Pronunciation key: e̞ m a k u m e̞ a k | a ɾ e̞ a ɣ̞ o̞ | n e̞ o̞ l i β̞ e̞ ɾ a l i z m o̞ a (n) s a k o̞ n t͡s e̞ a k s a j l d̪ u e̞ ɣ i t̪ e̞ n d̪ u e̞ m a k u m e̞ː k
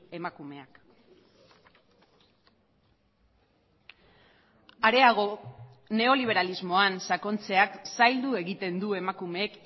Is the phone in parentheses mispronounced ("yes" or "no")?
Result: no